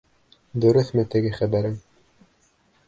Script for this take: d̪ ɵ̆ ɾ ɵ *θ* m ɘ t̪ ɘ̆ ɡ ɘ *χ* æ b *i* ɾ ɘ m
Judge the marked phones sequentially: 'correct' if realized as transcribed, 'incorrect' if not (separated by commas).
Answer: correct, correct, incorrect